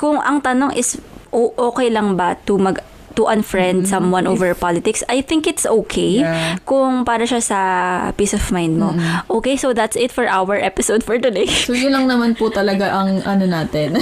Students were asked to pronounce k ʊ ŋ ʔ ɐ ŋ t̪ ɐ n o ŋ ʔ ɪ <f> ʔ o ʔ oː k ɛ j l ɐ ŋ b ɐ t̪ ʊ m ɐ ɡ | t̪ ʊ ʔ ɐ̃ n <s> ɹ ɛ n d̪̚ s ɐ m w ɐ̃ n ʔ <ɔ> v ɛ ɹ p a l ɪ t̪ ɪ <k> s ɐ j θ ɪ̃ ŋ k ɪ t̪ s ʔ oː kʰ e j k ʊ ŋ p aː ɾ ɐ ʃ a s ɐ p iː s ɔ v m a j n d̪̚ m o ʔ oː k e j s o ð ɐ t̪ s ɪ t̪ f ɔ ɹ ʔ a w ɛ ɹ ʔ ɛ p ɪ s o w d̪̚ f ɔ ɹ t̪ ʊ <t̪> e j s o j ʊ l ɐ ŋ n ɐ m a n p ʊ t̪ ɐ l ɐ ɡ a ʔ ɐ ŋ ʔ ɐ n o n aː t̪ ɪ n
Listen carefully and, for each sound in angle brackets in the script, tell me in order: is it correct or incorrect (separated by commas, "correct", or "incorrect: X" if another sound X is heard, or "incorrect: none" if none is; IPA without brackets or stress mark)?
incorrect: s, incorrect: f, incorrect: o, correct, incorrect: d̪